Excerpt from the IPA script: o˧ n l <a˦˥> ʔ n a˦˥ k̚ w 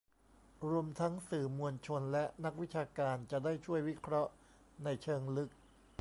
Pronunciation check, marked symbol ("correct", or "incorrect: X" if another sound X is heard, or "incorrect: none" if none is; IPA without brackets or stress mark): incorrect: ɛ˦˥